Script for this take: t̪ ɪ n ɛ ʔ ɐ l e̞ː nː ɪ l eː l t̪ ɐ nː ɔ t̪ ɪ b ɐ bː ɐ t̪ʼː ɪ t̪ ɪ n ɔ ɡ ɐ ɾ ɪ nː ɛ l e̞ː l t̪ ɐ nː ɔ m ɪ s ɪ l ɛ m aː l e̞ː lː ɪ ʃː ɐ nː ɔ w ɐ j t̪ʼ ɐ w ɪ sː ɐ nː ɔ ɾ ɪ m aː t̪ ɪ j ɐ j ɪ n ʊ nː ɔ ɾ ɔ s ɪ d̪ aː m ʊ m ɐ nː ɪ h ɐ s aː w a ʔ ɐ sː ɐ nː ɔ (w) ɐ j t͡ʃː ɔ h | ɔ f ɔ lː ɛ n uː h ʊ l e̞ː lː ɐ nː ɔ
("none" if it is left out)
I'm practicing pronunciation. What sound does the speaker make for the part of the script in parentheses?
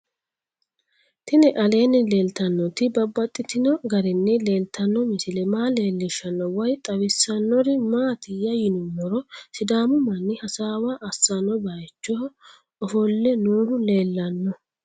b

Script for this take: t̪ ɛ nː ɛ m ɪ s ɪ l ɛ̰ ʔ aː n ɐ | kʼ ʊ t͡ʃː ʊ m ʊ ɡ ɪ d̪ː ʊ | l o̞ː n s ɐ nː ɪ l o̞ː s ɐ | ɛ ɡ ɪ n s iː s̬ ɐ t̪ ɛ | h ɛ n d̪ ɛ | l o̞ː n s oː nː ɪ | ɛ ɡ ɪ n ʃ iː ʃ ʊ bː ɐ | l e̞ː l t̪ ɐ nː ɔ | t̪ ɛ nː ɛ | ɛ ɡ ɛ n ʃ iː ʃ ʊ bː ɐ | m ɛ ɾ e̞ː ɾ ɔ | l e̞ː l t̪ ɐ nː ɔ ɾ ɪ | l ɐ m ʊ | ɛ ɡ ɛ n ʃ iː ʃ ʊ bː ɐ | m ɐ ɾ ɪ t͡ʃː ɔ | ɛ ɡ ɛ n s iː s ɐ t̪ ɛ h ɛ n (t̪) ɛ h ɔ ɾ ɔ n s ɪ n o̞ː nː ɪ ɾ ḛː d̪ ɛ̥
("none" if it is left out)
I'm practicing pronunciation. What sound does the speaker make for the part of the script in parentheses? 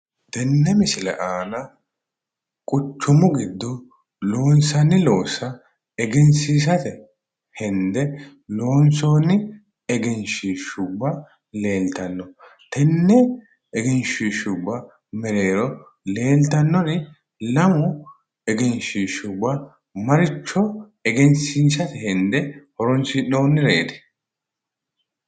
d̪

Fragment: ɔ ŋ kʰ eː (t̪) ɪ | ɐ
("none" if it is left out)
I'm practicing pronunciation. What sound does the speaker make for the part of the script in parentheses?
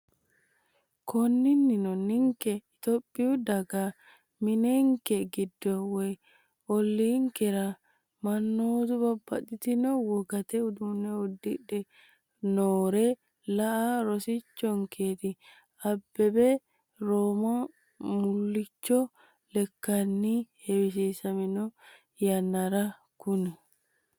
t̪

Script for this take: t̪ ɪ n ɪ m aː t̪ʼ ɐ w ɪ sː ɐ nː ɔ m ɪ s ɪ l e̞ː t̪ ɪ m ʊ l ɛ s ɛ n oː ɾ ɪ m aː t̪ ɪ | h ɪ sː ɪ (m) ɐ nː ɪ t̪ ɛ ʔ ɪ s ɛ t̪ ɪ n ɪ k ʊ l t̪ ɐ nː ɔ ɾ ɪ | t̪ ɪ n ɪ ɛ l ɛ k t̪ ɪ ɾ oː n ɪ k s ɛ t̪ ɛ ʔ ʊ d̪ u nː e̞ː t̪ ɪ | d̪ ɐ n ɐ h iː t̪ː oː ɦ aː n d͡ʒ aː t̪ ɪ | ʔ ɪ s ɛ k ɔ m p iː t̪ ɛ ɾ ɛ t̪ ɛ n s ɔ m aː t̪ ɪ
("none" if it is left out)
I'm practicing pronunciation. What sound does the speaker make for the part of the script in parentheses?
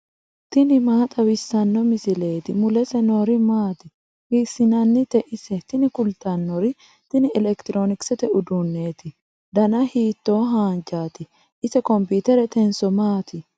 n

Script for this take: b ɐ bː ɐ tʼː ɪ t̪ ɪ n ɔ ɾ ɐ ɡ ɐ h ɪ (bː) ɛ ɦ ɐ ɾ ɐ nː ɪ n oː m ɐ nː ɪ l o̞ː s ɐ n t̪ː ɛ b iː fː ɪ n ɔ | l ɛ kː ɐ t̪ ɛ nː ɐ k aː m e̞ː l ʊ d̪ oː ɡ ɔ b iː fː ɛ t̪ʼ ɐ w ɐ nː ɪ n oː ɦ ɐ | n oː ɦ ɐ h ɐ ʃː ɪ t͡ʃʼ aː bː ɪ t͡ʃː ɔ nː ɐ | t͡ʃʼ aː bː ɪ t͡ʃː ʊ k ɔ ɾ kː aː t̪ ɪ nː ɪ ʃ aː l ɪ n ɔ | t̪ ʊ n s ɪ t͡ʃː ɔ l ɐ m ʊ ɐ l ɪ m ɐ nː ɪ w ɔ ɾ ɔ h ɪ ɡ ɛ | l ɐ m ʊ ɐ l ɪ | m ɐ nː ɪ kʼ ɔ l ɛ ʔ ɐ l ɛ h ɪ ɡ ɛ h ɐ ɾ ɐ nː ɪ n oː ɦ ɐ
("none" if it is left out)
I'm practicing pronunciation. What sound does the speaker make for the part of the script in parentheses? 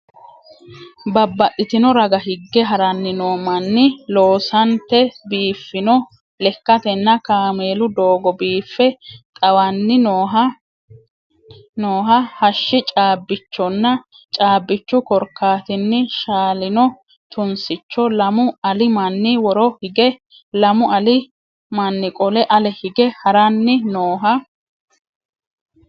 ɡː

